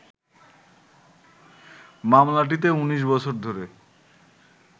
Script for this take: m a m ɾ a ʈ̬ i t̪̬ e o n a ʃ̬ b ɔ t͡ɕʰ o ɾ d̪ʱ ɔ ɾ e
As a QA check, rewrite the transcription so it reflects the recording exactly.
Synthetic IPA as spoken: m a m l a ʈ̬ i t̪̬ e u n i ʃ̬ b ɔ t͡ɕʰ o ɾ d̪ʱ o ɾ e

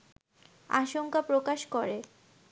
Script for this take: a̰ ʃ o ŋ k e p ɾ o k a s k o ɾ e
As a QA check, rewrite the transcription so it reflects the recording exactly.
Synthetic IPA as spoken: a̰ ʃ o ŋ k a p ɾ o k a ʃ k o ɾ e

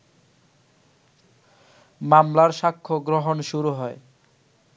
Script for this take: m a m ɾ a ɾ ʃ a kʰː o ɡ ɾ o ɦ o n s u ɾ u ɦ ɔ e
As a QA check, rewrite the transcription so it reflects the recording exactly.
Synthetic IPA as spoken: m a m l a ɾ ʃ a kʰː o ɡ ɾ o ɦ o n ʃ u ɾ u ɦ ɔ e

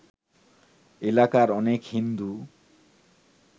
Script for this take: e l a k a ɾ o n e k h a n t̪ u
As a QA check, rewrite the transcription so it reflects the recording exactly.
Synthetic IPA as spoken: e l a k a ɾ ɔ n e k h i n d̪ u

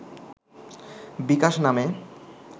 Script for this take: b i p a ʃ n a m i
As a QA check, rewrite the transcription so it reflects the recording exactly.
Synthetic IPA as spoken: b i k a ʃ n a m e

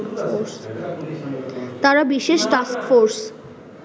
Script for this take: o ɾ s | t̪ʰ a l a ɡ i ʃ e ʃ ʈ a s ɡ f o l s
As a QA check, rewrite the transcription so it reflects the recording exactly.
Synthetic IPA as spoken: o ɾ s | t̪ a ɾ a b i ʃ e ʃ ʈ a s k f o ɾ s

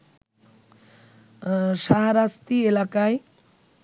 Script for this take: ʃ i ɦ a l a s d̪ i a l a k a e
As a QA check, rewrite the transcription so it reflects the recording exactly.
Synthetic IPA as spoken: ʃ a ɦ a ɾ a s t̪ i e l a k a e

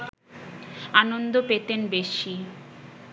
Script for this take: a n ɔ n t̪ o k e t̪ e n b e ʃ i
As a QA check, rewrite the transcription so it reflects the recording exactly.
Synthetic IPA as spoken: a n o n d̪ o p e t̪ e n b e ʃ i

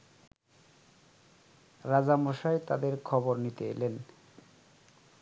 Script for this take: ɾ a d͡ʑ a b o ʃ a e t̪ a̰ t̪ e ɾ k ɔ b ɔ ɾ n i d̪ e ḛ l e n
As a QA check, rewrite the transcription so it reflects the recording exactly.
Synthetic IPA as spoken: ɾ a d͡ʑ a m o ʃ a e t̪ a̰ d̪ e ɾ kʰ ɔ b o ɾ n i t̪ e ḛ l e n

